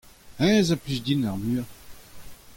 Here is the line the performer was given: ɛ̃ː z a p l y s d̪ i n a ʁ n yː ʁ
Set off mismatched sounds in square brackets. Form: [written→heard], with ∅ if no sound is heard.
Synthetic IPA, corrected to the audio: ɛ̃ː z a p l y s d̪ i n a ʁ [n→m] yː ʁ